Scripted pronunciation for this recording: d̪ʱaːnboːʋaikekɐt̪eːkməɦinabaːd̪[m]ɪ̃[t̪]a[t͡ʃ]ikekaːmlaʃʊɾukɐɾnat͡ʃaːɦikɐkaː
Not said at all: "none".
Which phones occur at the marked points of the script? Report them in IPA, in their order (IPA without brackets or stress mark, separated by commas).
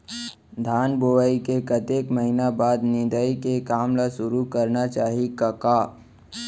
n, d̪, none